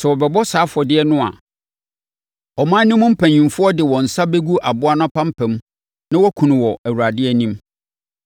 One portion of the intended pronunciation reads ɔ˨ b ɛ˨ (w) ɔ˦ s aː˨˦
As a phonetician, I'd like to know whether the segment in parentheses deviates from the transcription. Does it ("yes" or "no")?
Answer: yes